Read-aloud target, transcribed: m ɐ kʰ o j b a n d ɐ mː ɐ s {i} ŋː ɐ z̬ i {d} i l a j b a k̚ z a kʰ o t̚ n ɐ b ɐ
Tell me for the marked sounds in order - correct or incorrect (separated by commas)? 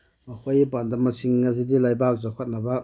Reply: correct, correct